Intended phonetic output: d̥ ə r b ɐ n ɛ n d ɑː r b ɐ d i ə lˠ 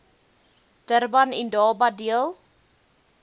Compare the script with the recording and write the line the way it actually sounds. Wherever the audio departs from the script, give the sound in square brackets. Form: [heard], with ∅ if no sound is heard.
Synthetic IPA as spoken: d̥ ə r b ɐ n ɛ n d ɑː [∅] b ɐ d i ə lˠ